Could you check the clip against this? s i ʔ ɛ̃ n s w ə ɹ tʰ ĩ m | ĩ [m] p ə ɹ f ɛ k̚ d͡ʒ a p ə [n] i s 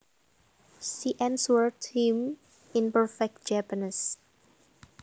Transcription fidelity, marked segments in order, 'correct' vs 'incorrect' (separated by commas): incorrect, correct